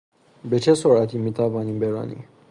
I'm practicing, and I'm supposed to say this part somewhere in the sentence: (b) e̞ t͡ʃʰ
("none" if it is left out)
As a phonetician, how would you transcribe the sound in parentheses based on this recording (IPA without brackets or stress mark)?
b